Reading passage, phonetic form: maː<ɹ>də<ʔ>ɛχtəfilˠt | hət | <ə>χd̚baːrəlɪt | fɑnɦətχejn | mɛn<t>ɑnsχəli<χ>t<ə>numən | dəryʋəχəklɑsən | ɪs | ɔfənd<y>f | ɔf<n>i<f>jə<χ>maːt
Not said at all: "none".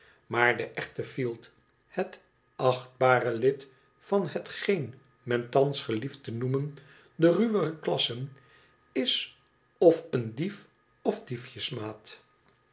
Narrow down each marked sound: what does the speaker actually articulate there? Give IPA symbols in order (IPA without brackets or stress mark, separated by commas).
ɹ, ʔ, ɑ, t, f, ə, i, d, f, s